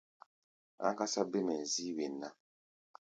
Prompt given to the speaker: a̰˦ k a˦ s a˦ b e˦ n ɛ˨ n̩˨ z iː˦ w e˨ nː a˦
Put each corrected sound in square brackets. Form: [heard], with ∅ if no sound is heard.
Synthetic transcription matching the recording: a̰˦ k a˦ s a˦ b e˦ [m] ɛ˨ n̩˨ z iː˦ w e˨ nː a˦